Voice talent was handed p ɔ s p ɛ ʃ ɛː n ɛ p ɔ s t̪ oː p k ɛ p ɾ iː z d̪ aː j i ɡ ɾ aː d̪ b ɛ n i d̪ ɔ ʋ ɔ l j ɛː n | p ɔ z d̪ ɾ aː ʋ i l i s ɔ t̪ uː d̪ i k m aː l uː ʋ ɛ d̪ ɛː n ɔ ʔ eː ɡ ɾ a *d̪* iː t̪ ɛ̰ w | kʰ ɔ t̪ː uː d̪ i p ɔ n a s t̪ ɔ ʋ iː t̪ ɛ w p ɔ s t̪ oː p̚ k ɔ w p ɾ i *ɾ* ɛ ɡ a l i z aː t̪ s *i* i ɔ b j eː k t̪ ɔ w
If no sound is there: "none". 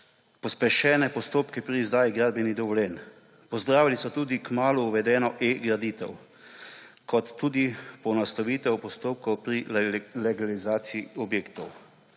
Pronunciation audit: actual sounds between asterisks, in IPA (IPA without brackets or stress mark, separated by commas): d̪, l, i